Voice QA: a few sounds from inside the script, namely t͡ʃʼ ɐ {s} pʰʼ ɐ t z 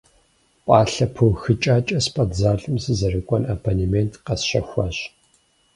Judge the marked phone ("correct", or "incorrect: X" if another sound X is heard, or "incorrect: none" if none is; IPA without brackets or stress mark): correct